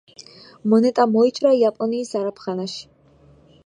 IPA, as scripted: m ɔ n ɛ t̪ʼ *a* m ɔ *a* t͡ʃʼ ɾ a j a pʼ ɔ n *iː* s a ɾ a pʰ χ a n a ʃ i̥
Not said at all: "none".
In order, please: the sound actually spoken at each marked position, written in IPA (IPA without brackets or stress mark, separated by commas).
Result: a, i, iː